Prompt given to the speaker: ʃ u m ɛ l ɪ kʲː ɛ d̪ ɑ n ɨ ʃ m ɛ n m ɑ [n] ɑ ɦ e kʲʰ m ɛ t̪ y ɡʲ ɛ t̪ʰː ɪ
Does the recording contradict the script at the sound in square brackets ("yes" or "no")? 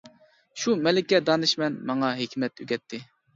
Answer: yes